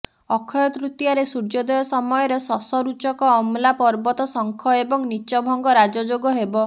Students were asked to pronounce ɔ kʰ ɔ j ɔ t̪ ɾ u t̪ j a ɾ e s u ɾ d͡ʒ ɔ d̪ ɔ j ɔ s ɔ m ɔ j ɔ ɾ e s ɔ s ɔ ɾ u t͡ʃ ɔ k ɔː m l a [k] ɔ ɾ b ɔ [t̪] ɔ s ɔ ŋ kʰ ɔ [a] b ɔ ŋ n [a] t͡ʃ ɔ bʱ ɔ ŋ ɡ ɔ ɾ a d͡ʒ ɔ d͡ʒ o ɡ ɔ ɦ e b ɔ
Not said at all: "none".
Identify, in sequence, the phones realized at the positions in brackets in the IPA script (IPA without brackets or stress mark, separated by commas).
p, t̪, e, i